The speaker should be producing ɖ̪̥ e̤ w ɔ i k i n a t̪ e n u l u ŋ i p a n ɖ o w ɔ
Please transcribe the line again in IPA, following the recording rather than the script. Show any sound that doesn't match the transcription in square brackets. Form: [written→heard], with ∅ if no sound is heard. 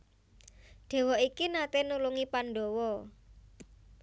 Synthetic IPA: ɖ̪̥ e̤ w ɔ i k i n a t̪ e n u l u ŋ i p a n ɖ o w ɔ

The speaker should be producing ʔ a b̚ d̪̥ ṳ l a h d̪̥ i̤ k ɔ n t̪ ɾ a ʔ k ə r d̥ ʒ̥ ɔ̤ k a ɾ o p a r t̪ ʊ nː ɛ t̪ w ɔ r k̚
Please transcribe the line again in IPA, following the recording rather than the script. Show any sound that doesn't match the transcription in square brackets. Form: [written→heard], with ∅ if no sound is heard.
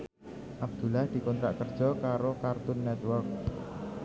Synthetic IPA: ʔ a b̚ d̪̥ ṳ l a h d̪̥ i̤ k ɔ n t̪ ɾ a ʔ k ə r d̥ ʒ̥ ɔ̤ k a ɾ o [p→k] a r t̪ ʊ nː ɛ t̪ w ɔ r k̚

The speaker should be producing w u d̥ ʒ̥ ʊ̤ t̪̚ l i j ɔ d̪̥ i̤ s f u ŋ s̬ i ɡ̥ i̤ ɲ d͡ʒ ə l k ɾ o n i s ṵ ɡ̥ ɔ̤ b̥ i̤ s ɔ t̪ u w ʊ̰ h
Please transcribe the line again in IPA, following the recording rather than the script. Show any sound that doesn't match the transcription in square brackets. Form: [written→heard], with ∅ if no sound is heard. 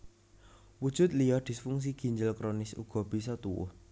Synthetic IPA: w u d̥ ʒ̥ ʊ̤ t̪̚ l i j ɔ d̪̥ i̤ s f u ŋ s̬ i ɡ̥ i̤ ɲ d͡ʒ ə l k ɾ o n [i→ɪ] s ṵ ɡ̥ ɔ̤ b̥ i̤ s ɔ t̪ u w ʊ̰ h

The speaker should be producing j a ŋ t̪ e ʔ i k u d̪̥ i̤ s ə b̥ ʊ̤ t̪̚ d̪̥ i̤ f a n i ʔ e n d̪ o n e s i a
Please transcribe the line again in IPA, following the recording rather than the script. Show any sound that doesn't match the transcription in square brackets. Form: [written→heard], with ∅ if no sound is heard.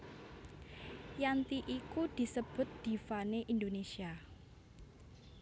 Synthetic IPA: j a [ŋ→n] t̪ [e→i] ʔ i k u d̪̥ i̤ s ə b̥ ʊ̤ t̪̚ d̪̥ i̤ f a n [i→e] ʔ [e→i] n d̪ o n e s i a

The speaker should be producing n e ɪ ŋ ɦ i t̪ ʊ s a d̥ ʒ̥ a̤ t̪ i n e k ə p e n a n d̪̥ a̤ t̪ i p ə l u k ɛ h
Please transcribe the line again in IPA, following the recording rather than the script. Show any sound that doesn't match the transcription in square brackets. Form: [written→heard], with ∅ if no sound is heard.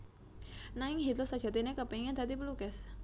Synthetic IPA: n [e→a] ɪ ŋ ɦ i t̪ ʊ s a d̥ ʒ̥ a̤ t̪ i n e k ə p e [n→ŋ] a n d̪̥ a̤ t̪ i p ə l u k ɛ [h→s]

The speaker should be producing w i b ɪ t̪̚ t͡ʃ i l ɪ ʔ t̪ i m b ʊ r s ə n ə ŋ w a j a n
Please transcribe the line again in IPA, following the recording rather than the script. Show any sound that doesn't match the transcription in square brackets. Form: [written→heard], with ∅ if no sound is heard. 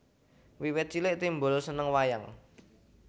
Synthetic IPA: w i [b→w] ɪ t̪̚ t͡ʃ i l ɪ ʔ t̪ i m b ʊ [r→l] s ə n ə ŋ w a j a [n→ŋ]

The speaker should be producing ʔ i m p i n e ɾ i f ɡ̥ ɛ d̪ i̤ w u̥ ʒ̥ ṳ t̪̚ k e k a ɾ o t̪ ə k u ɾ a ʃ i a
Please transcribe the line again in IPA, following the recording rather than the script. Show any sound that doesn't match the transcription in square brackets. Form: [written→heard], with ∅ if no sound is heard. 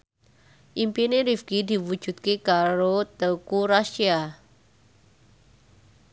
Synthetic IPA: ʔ i m p i n e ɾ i f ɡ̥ [ɛ→i] d̪ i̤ w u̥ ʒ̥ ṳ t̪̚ k e k a ɾ o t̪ ə k u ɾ a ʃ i a

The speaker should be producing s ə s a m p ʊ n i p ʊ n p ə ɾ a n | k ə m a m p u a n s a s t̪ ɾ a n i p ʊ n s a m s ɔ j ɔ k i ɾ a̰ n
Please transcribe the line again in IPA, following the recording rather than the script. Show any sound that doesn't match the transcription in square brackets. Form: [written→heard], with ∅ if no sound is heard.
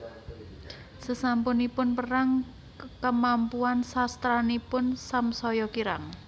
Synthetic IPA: s ə s a m p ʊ n i p ʊ n p ə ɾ a [n→ŋ] | k ə m a m p u a n s a s t̪ ɾ a n i p ʊ n s a m s ɔ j ɔ k i ɾ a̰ [n→ŋ]

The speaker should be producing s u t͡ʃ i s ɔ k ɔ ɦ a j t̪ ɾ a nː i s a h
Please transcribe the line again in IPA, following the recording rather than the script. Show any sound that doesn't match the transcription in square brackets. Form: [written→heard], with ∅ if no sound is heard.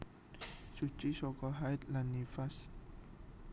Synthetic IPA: s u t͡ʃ i s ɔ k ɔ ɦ a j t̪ [ɾ→l] a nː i [s→f] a [h→s]

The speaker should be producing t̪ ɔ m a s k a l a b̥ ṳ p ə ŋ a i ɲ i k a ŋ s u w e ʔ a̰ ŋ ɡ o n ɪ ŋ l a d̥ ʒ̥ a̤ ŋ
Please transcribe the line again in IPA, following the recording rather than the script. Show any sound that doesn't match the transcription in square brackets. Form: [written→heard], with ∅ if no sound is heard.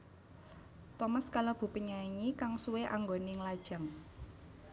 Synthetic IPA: t̪ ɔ m a s k a l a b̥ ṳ p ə [ŋ→ɲ] a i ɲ i k a ŋ s u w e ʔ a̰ ŋ ɡ o n ɪ ŋ l a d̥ ʒ̥ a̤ ŋ

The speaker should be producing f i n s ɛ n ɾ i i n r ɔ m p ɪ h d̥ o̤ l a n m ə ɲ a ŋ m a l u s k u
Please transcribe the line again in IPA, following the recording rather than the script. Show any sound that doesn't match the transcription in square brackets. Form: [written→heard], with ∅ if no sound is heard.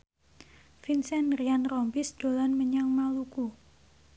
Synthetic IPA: f i n s ɛ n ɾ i [i→a] n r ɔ m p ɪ [h→s] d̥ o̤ l a n m ə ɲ a ŋ m a l u [s→∅] k u

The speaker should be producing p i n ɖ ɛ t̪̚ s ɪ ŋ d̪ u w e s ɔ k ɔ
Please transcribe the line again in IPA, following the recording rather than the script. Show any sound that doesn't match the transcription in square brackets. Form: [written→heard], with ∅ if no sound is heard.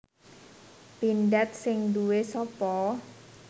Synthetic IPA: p i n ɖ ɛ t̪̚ s ɪ ŋ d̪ u w e s ɔ [k→p] ɔ

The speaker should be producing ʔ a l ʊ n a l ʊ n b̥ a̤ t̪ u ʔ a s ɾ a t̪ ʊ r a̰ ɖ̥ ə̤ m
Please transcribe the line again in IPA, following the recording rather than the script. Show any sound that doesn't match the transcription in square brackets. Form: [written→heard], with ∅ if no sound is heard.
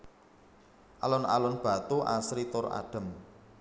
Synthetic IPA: ʔ a l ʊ n a l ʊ n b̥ a̤ t̪ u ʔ a s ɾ [a→i] t̪ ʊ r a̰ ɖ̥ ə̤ m

